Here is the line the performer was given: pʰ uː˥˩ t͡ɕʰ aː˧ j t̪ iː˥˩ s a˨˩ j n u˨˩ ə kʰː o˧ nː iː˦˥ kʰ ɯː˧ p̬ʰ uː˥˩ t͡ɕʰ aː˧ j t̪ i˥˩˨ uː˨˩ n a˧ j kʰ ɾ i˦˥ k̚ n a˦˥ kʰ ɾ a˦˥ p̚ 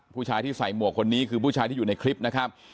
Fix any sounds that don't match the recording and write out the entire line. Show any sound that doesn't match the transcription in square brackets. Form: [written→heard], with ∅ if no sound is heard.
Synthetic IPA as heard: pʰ uː˥˩ t͡ɕʰ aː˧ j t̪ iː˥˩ s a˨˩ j [n→m] u˨˩ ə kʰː o˧ nː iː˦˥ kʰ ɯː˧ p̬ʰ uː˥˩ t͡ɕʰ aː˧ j t̪ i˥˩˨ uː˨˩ n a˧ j kʰ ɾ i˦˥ [k̚→p̚] n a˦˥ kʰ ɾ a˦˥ p̚